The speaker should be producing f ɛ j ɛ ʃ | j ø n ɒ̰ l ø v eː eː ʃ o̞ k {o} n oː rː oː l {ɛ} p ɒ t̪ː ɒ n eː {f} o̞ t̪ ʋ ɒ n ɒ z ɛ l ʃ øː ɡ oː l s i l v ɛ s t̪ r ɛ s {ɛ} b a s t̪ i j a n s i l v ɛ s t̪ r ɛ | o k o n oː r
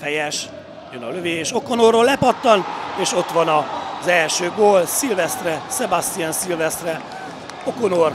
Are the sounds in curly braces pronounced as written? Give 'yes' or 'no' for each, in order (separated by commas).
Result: yes, yes, no, yes